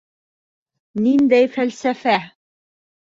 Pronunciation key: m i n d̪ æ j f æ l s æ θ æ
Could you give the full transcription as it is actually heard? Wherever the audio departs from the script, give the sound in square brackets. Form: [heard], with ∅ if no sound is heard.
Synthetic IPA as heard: [n] i n d̪ æ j f æ l s æ [f] æ

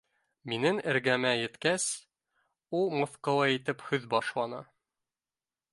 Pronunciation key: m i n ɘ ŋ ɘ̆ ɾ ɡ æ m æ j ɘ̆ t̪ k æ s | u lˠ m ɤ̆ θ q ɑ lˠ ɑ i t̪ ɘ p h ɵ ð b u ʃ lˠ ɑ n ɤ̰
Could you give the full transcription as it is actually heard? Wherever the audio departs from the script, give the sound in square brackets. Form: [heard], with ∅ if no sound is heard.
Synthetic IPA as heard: m i n ɘ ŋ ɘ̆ ɾ ɡ æ m æ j ɘ̆ t̪ k æ s | u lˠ m ɤ̆ θ q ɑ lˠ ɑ i t̪ ɘ p h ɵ ð b [ɒ] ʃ lˠ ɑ n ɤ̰

